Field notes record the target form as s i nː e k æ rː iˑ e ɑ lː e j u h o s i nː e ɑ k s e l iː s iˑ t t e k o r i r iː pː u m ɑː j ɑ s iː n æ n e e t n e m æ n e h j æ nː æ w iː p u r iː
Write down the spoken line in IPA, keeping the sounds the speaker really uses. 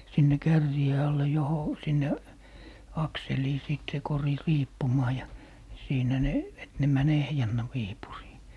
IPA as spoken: s i nː e k æ rː iˑ e ɑ lː e j o h o s i nː e ɑ k s e l iː s iˑ t s e k o r i r iː pː u m ɑː j ɑ s iː n æ n e e t n e m æ n e h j æ nː æ w iː p u r iː